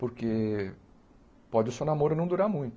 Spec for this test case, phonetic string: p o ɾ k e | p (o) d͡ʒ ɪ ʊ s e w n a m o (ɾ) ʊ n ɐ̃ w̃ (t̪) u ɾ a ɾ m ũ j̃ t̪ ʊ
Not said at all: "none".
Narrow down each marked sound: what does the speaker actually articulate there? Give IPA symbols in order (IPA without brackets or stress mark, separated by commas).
ɔ, ɾ, d̪